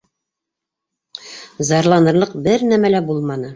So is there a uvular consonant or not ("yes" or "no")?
yes